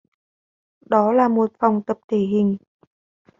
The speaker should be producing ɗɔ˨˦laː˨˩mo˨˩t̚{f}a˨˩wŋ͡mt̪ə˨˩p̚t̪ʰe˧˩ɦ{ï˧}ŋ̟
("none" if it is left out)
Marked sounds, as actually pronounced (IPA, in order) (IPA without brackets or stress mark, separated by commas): f, ï˨˩